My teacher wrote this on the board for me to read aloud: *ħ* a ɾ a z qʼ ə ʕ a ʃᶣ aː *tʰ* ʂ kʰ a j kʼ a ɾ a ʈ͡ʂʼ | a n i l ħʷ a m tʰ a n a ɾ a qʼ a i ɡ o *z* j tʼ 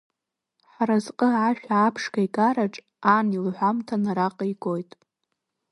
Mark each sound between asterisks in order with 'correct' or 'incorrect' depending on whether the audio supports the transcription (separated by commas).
correct, incorrect, incorrect